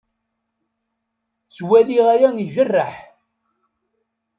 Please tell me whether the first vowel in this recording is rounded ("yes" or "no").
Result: no